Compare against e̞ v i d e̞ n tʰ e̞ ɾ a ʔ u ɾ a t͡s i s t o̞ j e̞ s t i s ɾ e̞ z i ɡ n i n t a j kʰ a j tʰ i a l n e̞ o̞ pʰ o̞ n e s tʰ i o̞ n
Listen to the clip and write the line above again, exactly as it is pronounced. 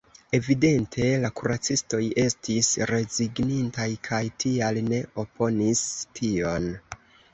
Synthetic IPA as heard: e̞ v i d e̞ n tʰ e̞ l a k u ɾ a t͡s i s t o̞ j e̞ s t i s ɾ e̞ z i ɡ n i n t a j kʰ a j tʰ i a l n e̞ o̞ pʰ o̞ n i s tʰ i o̞ n

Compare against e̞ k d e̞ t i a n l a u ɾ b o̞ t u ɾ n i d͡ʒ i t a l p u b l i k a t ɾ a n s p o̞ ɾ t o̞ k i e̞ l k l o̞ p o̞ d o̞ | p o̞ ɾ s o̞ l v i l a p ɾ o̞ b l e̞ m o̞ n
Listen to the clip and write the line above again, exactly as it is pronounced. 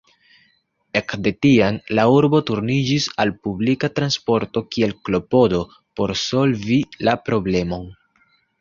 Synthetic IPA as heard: e̞ k d e̞ t i a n l a u ɾ b o̞ t u ɾ n i d͡ʒ i s a l p u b l i k a t ɾ a n s p o̞ ɾ t o̞ k i e̞ l k l o̞ p o̞ d o̞ | p o̞ ɾ s o̞ l v i l a p ɾ o̞ b l e̞ m o̞ n

